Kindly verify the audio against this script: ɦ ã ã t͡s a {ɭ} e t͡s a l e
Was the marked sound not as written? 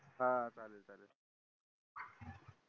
yes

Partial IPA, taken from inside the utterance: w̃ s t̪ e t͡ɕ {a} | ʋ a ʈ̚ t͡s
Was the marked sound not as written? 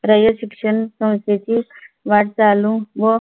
yes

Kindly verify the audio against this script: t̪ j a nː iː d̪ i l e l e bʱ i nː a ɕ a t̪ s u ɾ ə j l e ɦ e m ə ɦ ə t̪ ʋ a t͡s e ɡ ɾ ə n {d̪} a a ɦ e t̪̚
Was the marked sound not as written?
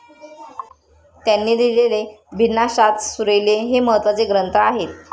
yes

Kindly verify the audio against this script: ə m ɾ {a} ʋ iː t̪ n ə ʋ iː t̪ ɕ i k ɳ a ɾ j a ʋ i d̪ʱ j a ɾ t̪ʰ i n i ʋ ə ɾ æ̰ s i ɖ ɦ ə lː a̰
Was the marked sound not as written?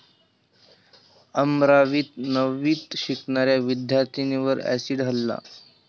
no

